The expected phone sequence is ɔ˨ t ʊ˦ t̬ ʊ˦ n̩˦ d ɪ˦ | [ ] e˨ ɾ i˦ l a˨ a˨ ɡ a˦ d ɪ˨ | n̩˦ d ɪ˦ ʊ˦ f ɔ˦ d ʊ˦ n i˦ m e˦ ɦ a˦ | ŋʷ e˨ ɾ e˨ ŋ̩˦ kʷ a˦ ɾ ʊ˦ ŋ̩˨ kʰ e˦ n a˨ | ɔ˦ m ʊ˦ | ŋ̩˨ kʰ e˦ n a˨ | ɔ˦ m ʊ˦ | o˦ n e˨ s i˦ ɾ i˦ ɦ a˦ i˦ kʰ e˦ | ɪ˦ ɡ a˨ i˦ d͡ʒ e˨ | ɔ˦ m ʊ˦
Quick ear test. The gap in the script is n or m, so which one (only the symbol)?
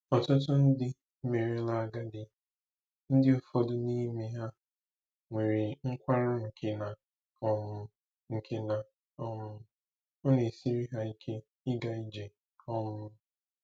m